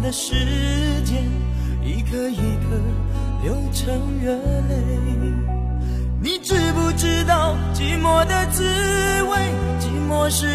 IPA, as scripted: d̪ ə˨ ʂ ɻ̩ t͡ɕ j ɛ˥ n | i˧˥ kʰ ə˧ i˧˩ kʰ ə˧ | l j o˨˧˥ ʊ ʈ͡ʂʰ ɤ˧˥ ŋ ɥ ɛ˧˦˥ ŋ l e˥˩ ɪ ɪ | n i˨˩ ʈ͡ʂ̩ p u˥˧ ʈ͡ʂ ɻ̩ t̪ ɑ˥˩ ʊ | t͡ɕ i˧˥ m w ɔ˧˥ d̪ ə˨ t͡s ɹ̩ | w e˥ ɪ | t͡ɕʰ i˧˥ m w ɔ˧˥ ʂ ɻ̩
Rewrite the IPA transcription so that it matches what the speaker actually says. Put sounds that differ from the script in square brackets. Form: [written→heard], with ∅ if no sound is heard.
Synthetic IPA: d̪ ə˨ ʂ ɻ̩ t͡ɕ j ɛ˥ n | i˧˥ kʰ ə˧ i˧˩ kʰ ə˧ | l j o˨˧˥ ʊ ʈ͡ʂʰ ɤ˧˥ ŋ ɥ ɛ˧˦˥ [ŋ→n] l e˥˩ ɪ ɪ | n i˨˩ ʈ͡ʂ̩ p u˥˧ ʈ͡ʂ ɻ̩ t̪ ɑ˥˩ ʊ | t͡ɕ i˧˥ m w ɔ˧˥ d̪ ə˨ t͡s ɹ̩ | w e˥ ɪ | [t͡ɕʰ→t͡ɕ] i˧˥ m w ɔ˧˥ ʂ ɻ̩